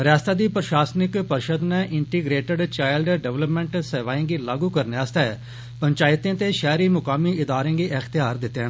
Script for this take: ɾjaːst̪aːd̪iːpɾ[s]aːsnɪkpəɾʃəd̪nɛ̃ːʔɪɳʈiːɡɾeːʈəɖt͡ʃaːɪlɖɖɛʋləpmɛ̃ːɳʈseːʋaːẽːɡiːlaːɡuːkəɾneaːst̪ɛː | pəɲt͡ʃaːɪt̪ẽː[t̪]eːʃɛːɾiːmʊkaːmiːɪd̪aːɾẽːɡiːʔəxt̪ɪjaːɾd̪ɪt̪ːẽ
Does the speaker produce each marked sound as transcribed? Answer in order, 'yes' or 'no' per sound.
no, yes

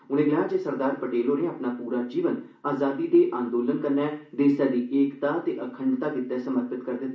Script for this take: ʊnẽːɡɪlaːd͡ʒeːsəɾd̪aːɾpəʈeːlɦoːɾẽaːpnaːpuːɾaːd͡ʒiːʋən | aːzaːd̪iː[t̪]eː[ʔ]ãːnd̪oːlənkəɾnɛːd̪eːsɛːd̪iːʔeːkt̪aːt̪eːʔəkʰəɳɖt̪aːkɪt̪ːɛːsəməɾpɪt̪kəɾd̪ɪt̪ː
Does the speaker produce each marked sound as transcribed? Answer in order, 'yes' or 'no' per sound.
no, yes

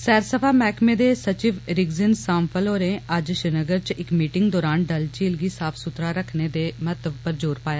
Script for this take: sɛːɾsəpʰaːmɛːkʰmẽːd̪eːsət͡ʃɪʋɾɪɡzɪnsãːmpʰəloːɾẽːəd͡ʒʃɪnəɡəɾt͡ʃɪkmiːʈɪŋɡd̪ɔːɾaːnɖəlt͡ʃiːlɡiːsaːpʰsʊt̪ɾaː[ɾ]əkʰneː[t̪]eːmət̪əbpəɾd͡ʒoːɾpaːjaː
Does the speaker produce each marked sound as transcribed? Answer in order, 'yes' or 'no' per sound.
yes, no

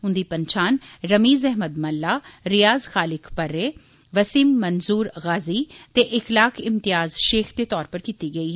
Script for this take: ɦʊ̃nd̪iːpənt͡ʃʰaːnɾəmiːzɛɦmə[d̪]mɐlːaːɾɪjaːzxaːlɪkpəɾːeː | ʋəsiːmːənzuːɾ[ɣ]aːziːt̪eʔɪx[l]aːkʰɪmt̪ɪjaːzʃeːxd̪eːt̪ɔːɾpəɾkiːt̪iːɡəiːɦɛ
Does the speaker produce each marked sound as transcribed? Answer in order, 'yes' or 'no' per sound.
yes, yes, yes

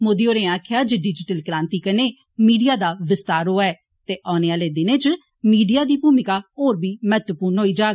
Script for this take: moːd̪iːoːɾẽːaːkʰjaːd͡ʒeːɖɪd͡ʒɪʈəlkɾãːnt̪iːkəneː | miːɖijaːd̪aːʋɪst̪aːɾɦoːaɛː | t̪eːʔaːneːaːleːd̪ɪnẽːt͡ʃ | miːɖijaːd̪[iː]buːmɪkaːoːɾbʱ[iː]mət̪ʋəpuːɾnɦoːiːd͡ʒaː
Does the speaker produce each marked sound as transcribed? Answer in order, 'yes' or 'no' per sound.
yes, yes

